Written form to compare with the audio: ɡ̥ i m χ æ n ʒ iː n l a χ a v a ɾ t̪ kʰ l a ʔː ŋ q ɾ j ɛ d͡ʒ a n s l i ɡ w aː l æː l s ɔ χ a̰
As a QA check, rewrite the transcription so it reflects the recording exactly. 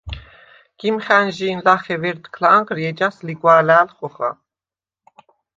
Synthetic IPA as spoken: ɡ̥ i m χ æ n ʒ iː n l a χ ɛ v ɛ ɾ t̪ kʰ l a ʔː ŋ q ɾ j ɛ d͡ʒ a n s l i ɡ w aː l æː l χ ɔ χ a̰

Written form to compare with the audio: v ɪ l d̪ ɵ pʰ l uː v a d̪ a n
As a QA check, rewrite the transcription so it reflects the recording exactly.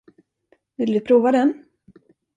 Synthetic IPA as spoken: v ɪ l d̪ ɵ pʰ ɾ uː v a d̪ ɛ n

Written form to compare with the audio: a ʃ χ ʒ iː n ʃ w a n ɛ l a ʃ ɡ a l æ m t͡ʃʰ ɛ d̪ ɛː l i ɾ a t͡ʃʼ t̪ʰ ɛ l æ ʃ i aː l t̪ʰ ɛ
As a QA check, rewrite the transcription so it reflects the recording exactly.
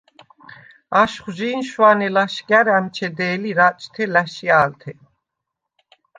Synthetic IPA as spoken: a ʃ χ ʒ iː n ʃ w a n ɛ l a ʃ ɡ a ɾ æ m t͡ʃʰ ɛ d̪ ɛː l i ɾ a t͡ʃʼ t̪ʰ ɛ l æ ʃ i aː l t̪ʰ ɛ

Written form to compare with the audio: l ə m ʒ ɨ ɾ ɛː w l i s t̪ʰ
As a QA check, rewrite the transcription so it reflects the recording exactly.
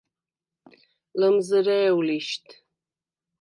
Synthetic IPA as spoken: l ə m z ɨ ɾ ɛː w l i ʃ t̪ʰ

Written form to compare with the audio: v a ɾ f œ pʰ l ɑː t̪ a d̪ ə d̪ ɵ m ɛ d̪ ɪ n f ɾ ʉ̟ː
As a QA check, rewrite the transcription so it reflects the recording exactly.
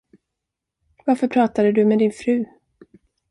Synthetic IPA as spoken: v a ɾ f œ pʰ ɾ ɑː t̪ a d̪ ə d̪ ɵ m ɛ d̪ ɪ n f ɾ ʉ̟ː

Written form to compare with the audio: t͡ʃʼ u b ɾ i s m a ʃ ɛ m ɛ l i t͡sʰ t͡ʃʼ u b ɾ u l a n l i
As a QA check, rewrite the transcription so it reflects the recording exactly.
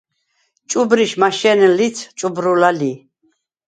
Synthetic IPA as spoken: t͡ʃʼ u b ɾ i ʃ m a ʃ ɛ n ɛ l i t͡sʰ t͡ʃʼ u b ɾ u l a l i

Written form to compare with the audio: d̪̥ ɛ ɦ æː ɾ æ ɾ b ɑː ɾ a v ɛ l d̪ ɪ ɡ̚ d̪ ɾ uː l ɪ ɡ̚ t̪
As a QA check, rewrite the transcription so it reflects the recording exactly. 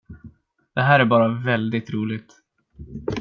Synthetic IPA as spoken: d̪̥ ɛ ɦ æː ɾ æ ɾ b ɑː ɾ a v ɛ l d̪ ɪ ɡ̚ t̪ ɾ uː l ɪ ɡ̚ t̪

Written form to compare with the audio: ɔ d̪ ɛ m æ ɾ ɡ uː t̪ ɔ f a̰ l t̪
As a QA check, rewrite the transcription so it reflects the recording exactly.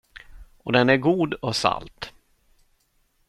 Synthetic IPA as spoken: ɔ d̪ ɛ n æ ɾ ɡ uː d̪ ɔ s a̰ l t̪

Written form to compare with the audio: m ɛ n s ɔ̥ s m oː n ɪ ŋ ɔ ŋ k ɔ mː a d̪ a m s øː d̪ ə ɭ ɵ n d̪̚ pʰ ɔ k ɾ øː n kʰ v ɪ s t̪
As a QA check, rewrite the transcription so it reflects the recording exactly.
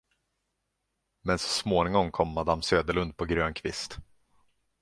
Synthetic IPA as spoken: m ɛ n s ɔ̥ s m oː n ɪ ŋ ɔ ŋ kʰ ɔ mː a d̪ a m s øː d̪ ə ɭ ɵ n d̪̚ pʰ ɔ ɡ ɾ øː n kʰ v ɪ s t̪

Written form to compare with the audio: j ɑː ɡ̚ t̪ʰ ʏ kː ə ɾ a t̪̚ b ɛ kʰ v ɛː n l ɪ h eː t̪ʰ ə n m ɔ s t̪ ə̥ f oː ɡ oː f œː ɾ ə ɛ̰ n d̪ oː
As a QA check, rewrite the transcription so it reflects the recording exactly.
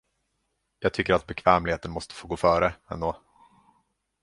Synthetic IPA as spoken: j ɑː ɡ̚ t̪ʰ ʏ kː ə ɾ a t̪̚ b ɛ kʰ v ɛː m l ɪ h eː t̪ ə n m ɔ s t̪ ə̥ f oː ɡ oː f œː ɾ ə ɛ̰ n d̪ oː

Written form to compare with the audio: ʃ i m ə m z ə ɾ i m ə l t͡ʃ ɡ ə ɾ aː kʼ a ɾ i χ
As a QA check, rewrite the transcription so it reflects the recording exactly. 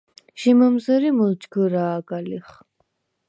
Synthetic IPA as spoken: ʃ i m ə m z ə ɾ i m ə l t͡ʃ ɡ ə ɾ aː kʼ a l i χ

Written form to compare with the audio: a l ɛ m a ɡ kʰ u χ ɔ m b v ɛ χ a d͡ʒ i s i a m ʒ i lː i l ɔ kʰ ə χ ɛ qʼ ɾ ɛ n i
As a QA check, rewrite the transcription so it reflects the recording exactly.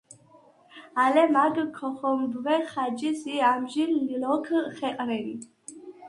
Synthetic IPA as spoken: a l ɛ m a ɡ kʰ ɔ χ ɔ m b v ɛ χ a d͡ʒ i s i a m ʒ i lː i l ɔ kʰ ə χ ɛ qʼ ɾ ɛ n i

